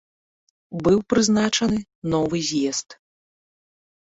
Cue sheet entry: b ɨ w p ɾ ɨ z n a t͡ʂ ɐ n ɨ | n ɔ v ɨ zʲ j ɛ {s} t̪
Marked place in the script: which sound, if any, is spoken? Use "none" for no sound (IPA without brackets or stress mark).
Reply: s